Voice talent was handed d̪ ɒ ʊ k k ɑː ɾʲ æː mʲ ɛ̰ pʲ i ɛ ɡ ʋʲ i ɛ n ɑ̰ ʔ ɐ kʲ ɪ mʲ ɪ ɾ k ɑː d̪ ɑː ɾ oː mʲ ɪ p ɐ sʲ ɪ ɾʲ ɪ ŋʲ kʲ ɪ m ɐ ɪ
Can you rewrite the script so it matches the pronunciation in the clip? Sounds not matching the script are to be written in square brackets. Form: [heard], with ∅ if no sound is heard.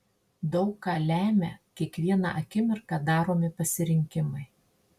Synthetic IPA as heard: d̪ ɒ ʊ k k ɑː [lʲ] æː mʲ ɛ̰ [kʲ] i ɛ [k] ʋʲ i ɛ n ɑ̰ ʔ ɐ kʲ ɪ mʲ ɪ ɾ k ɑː d̪ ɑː ɾ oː mʲ ɪ p ɐ sʲ ɪ ɾʲ ɪ ŋʲ kʲ ɪ m ɐ ɪ